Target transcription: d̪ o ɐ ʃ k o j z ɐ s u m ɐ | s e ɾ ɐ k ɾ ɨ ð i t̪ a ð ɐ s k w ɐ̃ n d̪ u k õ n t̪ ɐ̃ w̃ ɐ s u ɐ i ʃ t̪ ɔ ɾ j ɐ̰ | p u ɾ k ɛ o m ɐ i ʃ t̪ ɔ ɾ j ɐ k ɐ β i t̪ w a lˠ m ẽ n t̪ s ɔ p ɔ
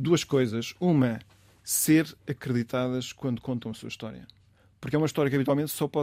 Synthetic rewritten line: d̪ u ɐ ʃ k o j z ɐ ʃ u m ɐ | s e ɾ ɐ k ɾ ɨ ð i t̪ a ð ɐ ʃ k w ɐ̃ n d̪ u k õ n t̪ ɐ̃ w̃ ɐ s u ɐ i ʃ t̪ ɔ ɾ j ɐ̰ | p u ɾ k ɛ u m ɐ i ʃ t̪ ɔ ɾ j ɐ k ɐ β i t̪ w a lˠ m ẽ n t̪ s ɔ p ɔ